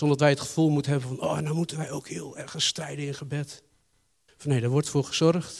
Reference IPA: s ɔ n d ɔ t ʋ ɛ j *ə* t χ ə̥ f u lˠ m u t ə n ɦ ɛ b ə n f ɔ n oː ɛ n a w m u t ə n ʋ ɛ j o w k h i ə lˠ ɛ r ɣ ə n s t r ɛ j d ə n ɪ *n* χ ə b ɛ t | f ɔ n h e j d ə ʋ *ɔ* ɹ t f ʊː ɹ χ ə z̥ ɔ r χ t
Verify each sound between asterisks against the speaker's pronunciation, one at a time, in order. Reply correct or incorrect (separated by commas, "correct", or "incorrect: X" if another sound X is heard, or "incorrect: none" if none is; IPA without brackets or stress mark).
correct, correct, correct